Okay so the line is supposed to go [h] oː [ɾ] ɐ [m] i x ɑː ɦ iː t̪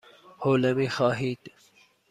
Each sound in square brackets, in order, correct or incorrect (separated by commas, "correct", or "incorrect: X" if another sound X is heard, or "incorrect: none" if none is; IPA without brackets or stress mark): correct, incorrect: l, correct